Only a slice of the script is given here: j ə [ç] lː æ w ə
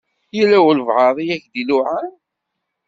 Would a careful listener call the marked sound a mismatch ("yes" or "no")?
yes